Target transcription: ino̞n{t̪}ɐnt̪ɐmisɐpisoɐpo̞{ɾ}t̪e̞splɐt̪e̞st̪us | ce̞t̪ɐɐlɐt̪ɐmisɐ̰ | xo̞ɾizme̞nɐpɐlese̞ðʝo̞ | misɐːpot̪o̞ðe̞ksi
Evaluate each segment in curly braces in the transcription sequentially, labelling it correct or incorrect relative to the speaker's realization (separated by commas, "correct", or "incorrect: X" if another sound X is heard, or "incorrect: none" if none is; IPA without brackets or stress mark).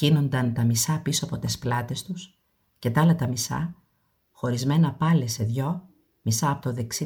incorrect: d̪, incorrect: none